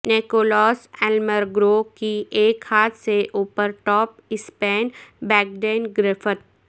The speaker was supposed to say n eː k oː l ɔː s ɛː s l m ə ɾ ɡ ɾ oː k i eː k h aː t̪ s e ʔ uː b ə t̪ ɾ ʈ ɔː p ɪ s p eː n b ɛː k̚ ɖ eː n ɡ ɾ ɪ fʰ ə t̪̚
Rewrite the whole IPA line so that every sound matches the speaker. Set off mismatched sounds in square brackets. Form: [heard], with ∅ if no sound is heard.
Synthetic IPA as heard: n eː k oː l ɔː s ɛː [∅] l m ə ɾ ɡ ɾ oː k i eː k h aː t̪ s e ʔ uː [p] ə [∅] ɾ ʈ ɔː p ɪ s p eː n b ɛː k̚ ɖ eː n ɡ ɾ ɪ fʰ ə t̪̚